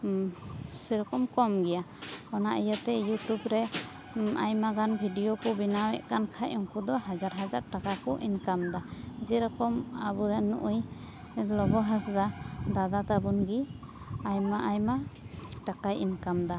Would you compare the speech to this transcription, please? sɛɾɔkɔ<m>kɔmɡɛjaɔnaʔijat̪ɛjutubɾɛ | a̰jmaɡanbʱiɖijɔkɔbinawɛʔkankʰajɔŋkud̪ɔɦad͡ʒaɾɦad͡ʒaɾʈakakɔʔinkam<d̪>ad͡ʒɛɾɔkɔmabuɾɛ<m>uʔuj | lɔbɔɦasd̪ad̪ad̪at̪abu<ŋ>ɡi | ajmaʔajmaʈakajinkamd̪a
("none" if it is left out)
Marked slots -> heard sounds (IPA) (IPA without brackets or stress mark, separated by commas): m, d̪, n, n